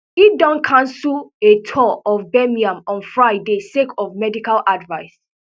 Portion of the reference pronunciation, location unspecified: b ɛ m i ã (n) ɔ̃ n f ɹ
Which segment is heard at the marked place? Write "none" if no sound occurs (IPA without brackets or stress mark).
m